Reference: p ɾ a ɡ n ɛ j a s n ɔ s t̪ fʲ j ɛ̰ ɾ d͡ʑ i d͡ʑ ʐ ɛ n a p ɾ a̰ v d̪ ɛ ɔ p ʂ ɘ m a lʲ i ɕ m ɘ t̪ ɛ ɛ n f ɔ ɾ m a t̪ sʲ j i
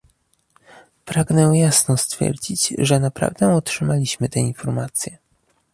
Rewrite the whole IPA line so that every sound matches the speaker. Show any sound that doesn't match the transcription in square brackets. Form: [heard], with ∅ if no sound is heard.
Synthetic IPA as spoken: p ɾ a ɡ n ɛ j a s n ɔ s t̪ fʲ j ɛ̰ ɾ d͡ʑ i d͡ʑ ʐ ɛ n a p ɾ a̰ v d̪ ɛ ɔ [t] ʂ ɘ m a lʲ i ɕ m ɘ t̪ ɛ [i] n f ɔ ɾ m a t̪ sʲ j [ɛ]